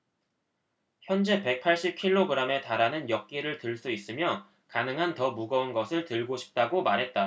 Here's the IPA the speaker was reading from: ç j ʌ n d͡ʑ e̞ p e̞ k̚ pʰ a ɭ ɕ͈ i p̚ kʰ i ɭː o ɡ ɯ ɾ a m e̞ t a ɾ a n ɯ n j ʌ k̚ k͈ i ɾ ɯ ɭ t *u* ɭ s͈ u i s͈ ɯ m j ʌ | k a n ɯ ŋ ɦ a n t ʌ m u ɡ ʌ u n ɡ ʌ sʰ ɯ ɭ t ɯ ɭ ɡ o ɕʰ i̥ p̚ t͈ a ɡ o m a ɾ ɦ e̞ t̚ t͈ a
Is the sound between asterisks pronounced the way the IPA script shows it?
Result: no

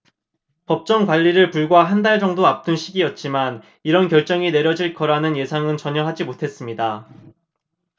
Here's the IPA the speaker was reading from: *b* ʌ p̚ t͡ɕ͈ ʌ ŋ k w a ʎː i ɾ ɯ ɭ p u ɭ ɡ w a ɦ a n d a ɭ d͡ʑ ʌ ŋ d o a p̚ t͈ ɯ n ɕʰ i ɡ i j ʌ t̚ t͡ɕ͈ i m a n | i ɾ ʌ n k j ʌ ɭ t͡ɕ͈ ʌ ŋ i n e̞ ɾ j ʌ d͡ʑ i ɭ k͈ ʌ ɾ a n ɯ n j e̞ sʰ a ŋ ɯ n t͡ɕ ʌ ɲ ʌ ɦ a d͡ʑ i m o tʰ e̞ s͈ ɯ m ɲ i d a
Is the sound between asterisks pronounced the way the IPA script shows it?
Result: no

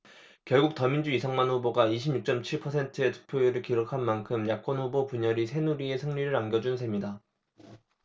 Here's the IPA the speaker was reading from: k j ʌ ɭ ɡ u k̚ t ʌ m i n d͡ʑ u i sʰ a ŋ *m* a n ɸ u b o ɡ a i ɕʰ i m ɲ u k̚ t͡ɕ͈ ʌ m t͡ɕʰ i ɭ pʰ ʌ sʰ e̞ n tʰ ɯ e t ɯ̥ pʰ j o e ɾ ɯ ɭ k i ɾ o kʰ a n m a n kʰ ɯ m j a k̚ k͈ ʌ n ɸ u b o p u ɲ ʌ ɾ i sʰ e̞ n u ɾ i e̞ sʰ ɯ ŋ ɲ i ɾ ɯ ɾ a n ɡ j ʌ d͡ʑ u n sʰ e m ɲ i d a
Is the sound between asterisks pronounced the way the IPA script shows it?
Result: yes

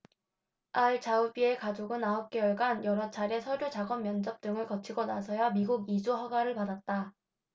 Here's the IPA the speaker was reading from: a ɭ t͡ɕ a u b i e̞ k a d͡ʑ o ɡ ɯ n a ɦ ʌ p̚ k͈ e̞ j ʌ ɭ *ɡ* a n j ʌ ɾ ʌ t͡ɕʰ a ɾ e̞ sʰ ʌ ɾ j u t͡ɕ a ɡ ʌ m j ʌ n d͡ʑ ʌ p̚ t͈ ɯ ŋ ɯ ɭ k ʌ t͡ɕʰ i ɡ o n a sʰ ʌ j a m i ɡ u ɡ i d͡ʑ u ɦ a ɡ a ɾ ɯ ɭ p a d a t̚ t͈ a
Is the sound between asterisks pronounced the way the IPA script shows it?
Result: yes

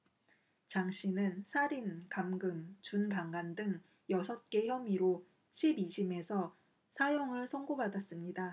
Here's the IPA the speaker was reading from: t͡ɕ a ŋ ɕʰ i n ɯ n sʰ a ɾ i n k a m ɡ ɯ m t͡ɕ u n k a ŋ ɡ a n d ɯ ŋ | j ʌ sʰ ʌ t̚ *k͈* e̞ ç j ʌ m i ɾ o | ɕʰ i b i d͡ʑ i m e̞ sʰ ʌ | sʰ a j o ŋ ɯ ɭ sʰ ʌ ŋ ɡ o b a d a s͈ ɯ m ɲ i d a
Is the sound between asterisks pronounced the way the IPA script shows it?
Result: yes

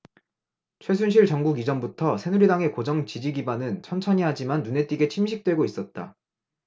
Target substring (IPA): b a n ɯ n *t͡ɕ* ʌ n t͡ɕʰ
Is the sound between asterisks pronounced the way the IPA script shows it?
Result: no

